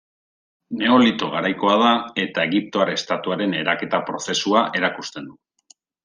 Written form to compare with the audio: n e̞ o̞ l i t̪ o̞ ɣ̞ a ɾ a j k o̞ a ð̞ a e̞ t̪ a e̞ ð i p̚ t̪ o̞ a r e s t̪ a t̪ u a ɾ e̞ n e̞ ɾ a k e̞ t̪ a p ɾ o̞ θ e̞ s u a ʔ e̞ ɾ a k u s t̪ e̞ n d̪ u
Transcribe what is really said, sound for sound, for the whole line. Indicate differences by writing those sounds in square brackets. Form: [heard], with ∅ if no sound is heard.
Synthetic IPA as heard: n e̞ o̞ l i t̪ o̞ ɣ̞ a ɾ a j k o̞ a ð̞ a e̞ t̪ a e̞ [ɣ] i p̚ t̪ o̞ a [ɾ] e s t̪ a t̪ u a ɾ e̞ n e̞ ɾ a k e̞ t̪ a p ɾ o̞ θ e̞ s u a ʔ e̞ ɾ a k u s t̪ e̞ n d̪ u